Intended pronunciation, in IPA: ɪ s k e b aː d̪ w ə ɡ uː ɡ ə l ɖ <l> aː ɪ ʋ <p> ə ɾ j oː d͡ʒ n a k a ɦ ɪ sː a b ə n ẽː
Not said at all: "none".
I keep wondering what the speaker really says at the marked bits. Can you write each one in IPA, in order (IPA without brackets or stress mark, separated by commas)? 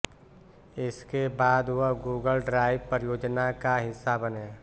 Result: ɾ, p